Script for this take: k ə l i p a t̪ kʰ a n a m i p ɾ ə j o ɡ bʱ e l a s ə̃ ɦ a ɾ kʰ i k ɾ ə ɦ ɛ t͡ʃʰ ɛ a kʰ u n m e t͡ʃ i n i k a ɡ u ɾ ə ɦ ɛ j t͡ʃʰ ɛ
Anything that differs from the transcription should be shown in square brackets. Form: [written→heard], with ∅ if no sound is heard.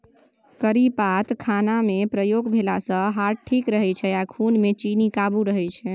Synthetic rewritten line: k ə [l→ɾ] i p a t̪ kʰ a n a m [i→e] p ɾ ə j o ɡ bʱ e l a s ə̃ ɦ a ɾ [kʰ→ʈʰ] i k ɾ ə ɦ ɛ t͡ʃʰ ɛ a kʰ u n m e t͡ʃ i n i k a [ɡ→b] u ɾ ə ɦ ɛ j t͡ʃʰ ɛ